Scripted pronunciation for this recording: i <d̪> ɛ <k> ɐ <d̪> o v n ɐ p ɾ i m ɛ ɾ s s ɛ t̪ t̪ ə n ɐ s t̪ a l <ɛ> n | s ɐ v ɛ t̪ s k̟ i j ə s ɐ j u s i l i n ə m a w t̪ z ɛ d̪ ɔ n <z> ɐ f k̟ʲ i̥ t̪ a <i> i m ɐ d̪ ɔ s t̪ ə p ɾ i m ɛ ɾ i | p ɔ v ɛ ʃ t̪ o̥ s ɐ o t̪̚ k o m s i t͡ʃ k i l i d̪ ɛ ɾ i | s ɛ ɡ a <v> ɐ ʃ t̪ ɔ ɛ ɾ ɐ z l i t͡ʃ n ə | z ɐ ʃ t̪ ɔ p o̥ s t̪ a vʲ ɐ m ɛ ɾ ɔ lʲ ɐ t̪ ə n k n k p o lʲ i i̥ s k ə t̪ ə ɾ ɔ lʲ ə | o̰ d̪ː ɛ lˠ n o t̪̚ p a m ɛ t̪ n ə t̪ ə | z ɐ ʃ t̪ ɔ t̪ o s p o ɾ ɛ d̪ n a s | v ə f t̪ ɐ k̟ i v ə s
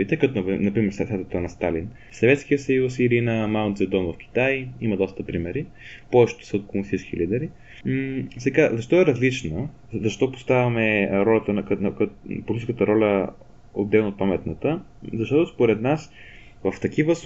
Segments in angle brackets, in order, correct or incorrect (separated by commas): incorrect, correct, incorrect, incorrect, incorrect, incorrect, incorrect